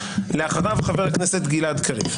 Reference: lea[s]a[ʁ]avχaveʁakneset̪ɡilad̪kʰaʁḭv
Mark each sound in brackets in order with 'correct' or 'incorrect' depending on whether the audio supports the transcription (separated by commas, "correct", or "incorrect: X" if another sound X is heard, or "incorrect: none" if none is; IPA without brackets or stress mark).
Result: incorrect: χ, correct